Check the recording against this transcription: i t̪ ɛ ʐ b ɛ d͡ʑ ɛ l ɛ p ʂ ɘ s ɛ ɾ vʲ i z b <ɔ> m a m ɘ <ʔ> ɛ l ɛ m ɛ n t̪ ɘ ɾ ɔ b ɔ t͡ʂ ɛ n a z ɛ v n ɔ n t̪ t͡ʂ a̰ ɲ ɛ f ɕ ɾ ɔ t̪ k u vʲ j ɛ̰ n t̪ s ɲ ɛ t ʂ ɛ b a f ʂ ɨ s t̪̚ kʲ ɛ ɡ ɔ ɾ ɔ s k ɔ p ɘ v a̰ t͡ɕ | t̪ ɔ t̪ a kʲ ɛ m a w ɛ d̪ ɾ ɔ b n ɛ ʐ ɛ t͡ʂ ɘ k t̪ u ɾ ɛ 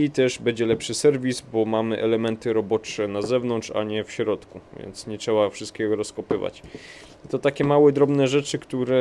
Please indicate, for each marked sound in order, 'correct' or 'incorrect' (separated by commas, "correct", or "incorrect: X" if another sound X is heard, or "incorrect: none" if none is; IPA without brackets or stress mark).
correct, correct